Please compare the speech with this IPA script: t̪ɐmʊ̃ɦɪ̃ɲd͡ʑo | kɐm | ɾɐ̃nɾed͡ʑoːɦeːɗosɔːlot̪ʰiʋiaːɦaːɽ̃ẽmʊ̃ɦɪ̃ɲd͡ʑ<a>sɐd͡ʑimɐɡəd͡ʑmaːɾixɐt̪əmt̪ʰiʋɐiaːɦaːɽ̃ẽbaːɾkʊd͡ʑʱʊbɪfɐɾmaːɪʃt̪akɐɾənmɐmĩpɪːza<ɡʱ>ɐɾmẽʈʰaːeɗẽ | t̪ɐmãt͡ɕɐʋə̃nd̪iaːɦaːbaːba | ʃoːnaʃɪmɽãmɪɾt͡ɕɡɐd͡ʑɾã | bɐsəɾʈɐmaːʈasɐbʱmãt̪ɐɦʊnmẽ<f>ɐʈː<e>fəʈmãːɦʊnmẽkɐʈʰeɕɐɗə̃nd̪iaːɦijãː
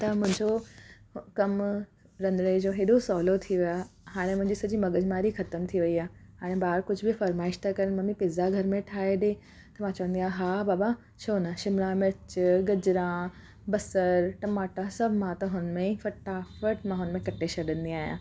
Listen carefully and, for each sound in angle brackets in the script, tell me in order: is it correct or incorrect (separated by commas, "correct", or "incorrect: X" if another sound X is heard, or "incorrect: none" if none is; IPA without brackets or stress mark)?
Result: incorrect: i, correct, correct, incorrect: a